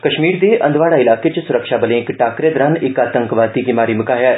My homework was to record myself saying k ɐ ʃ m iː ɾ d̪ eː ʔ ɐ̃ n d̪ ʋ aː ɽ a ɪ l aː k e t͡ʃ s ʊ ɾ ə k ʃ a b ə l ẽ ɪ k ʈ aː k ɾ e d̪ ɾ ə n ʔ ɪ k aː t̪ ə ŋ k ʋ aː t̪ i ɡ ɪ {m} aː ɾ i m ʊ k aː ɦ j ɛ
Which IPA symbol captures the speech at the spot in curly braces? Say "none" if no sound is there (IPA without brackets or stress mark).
m